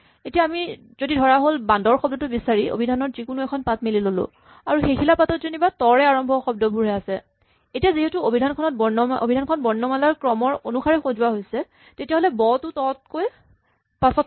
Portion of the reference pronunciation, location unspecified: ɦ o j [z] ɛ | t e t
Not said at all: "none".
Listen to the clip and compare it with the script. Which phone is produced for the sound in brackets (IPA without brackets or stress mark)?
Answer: s